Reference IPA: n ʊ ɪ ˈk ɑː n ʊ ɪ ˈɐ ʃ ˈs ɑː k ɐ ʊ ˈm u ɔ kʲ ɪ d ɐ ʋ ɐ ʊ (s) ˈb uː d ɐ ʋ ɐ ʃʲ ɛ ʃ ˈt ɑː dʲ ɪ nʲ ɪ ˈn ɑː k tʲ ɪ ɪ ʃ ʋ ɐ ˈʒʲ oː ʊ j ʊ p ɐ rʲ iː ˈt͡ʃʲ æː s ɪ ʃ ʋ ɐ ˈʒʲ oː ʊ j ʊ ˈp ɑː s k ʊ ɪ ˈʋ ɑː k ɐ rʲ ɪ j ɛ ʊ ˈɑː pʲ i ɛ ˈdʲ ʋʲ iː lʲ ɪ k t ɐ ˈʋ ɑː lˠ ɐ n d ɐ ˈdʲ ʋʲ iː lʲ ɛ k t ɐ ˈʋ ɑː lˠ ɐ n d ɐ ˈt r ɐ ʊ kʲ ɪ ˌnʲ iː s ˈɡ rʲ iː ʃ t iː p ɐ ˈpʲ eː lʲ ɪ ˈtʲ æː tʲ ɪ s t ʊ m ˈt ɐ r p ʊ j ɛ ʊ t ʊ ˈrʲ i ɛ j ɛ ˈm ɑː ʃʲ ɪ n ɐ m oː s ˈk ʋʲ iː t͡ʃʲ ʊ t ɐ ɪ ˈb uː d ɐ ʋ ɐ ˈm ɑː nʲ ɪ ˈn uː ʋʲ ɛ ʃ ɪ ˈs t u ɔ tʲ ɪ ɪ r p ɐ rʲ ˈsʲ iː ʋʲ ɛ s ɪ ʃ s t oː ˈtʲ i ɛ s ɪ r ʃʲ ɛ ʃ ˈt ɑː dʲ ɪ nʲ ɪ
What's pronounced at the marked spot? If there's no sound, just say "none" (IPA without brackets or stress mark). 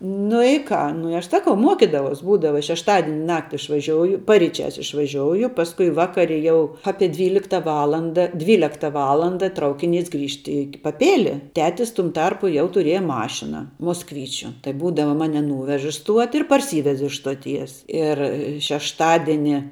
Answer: s